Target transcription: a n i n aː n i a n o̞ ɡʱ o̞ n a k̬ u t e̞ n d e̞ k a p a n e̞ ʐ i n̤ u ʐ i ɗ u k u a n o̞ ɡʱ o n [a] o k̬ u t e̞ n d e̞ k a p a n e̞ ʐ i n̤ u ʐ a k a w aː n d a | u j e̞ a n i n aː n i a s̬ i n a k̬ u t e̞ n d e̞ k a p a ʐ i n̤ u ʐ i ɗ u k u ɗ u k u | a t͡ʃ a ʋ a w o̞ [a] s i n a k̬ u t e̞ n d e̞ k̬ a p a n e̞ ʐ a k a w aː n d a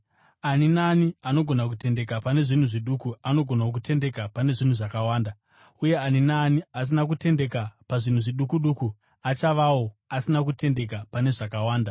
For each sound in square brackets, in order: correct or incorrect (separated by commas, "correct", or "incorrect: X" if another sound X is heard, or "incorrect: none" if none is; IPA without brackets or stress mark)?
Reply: correct, correct